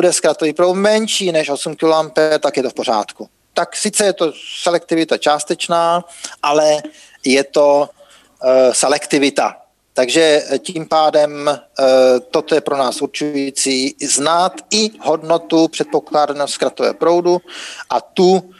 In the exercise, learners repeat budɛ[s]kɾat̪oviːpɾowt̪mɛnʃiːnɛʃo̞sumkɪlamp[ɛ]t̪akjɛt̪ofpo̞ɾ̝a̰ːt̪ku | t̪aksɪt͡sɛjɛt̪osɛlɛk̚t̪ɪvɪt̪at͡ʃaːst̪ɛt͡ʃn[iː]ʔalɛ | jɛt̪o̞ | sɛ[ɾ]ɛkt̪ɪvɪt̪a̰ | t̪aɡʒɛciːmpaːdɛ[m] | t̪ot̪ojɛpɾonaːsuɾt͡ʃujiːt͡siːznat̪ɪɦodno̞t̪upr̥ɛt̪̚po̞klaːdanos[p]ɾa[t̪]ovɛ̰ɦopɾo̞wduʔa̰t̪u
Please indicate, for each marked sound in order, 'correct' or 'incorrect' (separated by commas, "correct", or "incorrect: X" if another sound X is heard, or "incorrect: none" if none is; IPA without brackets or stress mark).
correct, correct, incorrect: aː, incorrect: l, correct, incorrect: k, correct